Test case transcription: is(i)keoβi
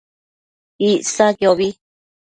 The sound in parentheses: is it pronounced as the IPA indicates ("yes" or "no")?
no